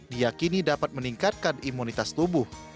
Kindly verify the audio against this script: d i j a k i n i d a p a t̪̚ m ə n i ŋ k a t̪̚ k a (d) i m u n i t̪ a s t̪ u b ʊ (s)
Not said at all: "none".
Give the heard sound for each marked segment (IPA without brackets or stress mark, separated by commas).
n, h